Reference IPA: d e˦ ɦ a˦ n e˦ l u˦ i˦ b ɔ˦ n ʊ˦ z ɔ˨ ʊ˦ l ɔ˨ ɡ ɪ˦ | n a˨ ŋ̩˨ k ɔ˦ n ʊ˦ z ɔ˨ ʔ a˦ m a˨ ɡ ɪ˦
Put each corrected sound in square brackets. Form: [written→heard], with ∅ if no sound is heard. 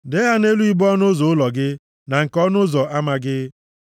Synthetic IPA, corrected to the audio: d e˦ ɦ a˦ n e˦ l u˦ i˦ b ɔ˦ n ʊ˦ z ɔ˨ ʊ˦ l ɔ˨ ɡ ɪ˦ | n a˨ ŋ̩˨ k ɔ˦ n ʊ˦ z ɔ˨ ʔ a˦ m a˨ ɡ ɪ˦